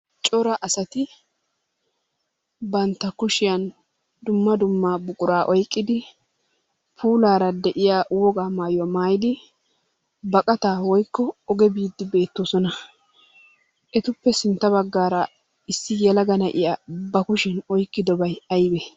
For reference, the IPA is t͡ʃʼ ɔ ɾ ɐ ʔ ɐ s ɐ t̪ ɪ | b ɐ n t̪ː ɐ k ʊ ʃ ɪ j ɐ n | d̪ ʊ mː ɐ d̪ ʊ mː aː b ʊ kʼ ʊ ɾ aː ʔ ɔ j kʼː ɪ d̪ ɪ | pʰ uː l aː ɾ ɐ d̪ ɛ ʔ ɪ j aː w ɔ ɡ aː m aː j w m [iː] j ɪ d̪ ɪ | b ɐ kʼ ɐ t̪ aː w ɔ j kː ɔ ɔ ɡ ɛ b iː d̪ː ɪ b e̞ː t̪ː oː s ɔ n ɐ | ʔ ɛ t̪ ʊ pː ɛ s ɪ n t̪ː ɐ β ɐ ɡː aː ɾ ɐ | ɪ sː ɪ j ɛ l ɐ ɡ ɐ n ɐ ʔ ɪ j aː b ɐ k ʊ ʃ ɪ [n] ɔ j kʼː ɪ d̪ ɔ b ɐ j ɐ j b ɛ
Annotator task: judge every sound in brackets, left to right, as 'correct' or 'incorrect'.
incorrect, correct

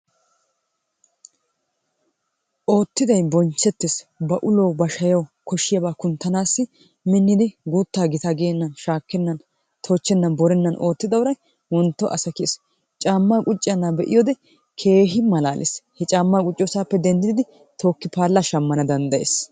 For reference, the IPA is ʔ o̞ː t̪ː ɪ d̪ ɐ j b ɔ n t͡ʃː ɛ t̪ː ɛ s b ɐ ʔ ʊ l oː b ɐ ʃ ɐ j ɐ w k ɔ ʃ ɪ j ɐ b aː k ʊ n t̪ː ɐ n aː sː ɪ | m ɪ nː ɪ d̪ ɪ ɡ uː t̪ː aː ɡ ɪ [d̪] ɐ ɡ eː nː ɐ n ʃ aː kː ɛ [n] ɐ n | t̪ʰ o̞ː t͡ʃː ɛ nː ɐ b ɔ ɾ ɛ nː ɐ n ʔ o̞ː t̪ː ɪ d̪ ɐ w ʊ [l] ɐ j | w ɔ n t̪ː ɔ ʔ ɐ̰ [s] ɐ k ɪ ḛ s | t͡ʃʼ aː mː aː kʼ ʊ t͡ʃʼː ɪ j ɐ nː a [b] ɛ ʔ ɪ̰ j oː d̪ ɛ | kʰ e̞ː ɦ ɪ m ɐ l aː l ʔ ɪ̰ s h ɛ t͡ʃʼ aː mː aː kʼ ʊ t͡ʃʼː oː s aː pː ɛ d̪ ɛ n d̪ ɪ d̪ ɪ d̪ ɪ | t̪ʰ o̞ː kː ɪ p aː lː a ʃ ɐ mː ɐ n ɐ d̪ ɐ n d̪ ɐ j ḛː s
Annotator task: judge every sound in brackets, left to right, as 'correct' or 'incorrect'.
incorrect, incorrect, incorrect, correct, correct

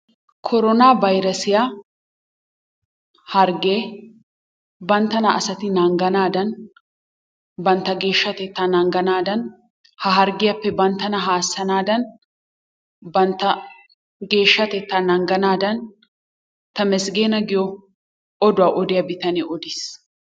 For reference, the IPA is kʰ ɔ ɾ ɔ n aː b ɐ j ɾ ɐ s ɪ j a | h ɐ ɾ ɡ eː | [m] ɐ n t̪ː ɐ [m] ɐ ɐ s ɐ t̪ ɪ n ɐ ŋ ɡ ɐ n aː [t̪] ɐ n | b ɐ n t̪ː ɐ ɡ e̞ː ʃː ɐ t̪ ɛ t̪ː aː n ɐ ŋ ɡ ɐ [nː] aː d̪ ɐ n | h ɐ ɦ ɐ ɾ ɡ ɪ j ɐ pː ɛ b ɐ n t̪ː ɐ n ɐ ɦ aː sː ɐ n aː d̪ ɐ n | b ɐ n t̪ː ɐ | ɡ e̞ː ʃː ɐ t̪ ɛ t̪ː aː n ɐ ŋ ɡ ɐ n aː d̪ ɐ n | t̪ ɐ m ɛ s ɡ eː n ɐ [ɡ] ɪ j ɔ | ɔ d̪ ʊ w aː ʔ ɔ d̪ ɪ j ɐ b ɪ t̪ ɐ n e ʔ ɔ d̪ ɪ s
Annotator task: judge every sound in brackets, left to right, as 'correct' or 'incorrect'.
incorrect, incorrect, incorrect, incorrect, correct

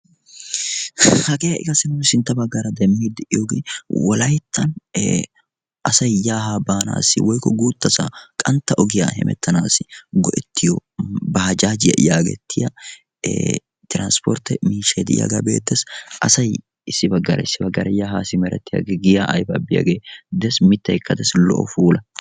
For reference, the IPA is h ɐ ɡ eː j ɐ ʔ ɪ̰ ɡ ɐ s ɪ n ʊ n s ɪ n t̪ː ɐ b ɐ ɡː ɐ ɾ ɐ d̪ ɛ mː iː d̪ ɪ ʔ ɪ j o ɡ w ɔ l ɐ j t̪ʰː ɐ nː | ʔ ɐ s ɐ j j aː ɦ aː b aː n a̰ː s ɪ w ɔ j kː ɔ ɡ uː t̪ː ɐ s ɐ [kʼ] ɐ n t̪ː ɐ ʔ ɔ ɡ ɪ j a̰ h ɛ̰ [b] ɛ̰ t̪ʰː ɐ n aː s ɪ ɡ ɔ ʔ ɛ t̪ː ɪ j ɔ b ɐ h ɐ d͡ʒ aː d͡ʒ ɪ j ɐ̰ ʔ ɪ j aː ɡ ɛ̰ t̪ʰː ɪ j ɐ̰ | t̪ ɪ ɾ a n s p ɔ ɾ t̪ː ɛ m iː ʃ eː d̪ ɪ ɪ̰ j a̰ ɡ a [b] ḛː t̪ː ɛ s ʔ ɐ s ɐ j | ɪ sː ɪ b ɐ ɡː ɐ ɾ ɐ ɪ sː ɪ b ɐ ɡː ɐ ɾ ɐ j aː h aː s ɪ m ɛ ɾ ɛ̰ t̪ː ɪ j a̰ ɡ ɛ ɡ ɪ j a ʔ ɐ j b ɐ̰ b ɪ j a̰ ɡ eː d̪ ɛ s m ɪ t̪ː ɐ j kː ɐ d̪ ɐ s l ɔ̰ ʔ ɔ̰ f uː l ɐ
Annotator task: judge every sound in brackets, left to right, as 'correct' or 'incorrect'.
correct, incorrect, correct

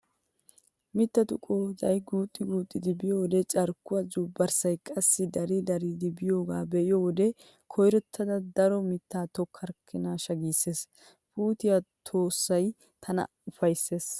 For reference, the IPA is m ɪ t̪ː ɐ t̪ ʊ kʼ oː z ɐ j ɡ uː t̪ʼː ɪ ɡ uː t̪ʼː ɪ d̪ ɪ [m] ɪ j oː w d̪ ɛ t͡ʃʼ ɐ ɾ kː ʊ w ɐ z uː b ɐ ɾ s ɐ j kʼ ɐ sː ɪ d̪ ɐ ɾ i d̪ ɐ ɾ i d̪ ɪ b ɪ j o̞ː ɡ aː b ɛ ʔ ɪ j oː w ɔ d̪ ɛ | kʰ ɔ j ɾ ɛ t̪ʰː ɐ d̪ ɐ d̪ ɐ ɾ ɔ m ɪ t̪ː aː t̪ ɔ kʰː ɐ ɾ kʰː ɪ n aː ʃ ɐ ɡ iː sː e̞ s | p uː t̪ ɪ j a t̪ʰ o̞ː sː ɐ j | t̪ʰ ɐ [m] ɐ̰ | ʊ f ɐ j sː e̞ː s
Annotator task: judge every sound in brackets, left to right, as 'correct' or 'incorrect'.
incorrect, incorrect

